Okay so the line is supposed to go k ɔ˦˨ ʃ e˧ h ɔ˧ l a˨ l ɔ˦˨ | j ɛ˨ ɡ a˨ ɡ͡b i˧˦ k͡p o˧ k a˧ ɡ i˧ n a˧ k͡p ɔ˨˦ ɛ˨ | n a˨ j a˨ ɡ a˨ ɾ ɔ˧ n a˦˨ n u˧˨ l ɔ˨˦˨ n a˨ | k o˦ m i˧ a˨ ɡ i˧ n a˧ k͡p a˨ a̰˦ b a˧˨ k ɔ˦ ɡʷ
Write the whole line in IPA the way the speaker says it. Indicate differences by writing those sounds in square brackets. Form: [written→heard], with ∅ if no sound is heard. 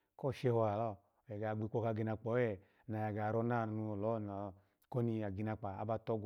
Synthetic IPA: k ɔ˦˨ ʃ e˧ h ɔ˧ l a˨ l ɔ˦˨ | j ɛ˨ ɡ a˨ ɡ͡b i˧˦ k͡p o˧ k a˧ ɡ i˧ n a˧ k͡p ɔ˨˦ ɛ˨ | n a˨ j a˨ ɡ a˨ ɾ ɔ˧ n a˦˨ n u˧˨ l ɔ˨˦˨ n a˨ | k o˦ [m→n] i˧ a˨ ɡ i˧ n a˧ k͡p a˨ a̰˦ b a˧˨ [k→t] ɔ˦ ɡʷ

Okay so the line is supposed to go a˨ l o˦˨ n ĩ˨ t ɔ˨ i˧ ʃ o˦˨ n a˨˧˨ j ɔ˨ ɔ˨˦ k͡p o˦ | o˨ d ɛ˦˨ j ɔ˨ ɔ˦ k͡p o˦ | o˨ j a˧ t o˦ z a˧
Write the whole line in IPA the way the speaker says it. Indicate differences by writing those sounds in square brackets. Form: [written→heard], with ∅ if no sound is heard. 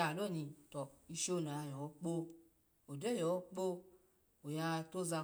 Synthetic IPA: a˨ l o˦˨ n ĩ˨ t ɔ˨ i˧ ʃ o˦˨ n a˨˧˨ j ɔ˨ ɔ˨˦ k͡p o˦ | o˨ d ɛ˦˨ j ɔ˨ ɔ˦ k͡p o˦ | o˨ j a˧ t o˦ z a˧

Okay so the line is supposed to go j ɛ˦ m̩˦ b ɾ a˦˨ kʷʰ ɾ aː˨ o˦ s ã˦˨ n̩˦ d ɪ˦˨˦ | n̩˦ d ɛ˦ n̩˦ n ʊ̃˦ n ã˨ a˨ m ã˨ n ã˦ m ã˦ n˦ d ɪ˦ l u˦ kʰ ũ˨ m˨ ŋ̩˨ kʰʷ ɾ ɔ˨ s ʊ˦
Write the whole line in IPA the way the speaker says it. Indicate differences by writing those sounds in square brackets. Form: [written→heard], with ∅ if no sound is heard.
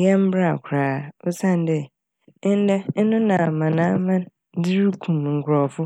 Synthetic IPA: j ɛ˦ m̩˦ b ɾ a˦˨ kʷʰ ɾ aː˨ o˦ s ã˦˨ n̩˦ d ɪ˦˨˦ | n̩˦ d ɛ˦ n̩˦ n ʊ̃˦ n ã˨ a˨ m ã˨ n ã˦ m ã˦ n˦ d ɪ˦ [l→ɾ] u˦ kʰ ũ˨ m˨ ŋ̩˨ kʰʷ ɾ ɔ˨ [s→f] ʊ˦

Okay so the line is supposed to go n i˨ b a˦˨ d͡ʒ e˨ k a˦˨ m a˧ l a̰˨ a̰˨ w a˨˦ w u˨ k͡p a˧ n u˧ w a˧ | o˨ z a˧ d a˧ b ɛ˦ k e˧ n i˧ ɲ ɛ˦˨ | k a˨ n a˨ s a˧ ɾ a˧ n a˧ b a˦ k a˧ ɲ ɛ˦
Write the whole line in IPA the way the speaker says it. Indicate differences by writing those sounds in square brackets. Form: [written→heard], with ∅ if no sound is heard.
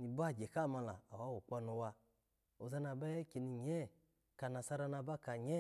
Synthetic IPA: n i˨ b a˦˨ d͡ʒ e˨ k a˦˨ m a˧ l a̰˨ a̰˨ w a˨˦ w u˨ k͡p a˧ n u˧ w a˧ | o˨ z a˧ [d→n] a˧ b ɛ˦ k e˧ n i˧ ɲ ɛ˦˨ | k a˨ n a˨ s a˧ ɾ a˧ n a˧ b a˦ k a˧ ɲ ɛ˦

